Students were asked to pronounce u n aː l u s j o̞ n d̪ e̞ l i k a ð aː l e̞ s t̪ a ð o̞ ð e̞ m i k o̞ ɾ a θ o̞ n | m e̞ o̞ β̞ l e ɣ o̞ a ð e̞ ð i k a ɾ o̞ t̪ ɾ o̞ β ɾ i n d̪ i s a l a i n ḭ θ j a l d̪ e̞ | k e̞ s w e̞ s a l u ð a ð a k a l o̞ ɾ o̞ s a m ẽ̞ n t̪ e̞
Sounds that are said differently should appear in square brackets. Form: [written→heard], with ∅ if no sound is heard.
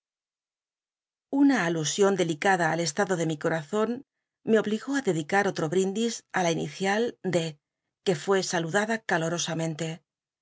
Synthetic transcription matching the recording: u n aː l u s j o̞ n d̪ e̞ l i k a ð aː l e̞ s t̪ a ð o̞ ð e̞ m i k o̞ ɾ a θ o̞ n | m e̞ o̞ β̞ l [e→i] ɣ o̞ a ð e̞ ð i k a ɾ o̞ t̪ ɾ o̞ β ɾ i n d̪ i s a l a i n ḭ θ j a l d̪ e̞ | k e̞ [s→f] w e̞ s a l u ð a ð a k a l o̞ ɾ o̞ s a m ẽ̞ n t̪ e̞